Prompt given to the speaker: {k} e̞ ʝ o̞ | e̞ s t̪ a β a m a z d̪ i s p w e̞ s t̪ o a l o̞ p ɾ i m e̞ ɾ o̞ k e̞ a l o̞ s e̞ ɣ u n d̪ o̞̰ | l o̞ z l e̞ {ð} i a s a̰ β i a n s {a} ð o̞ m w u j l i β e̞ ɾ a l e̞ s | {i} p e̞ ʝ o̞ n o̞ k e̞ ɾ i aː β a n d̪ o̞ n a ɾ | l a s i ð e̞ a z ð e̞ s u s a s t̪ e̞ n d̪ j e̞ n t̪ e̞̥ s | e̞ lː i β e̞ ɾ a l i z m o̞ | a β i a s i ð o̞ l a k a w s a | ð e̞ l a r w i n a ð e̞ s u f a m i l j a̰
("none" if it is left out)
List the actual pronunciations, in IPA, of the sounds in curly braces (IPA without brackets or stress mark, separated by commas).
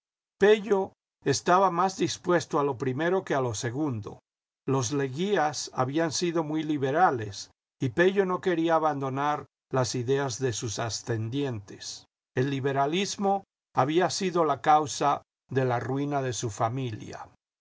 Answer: p, ɣ, i, i